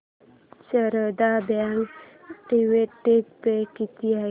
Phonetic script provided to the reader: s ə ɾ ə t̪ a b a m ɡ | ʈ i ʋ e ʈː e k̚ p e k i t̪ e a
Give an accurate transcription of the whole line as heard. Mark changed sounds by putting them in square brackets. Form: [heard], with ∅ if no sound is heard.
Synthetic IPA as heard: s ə ɾ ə [d̪] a b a [ŋ] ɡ | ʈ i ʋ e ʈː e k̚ p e k i t̪ [i] a